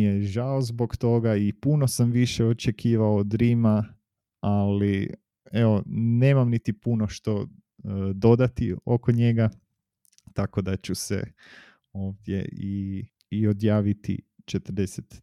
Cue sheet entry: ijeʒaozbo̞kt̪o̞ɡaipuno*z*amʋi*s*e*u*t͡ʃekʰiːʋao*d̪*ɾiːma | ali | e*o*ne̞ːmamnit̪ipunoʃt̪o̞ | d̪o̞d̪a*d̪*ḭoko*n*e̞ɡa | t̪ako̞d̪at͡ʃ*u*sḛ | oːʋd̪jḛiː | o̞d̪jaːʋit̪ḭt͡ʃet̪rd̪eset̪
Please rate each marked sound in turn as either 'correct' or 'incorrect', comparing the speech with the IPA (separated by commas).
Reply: incorrect, incorrect, incorrect, correct, correct, incorrect, incorrect, correct